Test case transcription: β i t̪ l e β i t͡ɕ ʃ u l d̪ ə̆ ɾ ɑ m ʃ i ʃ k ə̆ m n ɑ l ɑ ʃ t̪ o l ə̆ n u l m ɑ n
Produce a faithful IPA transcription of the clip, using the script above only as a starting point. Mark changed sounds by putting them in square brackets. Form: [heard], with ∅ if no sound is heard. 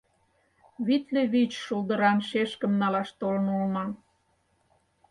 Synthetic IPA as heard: β i t̪ l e β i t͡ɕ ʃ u l d̪ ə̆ ɾ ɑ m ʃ [e] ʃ k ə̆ m n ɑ l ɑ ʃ t̪ o l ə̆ n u l m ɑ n